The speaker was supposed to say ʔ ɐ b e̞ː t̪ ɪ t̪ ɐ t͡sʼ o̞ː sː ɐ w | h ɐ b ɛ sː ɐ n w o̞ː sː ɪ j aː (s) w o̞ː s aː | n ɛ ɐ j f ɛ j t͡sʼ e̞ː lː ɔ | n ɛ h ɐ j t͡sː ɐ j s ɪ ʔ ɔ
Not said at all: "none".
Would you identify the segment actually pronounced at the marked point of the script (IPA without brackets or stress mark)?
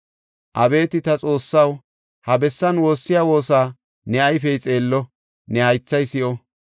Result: none